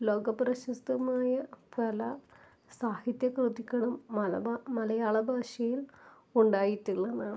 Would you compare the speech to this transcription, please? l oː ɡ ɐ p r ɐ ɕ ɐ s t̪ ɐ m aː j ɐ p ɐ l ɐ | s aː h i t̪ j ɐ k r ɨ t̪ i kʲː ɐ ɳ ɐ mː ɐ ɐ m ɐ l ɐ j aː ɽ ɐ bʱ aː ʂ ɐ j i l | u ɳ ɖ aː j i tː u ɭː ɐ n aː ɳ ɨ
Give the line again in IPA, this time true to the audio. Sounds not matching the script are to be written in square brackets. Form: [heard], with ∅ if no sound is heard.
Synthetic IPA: l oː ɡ ɐ p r ɐ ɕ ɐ s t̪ ɐ m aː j ɐ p ɐ l ɐ | s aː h i t̪ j ɐ k r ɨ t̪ i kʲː ɐ ɳ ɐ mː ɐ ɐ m ɐ l ɐ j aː [ɭ] ɐ bʱ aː ʂ ɐ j i l | u ɳ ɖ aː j i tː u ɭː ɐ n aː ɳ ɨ